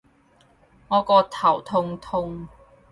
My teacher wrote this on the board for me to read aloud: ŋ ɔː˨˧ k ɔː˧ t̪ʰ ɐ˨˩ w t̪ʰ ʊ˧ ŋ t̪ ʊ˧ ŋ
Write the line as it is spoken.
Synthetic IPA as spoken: ŋ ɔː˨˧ k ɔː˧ t̪ʰ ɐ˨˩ w t̪ʰ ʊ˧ ŋ t̪ʰ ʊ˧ ŋ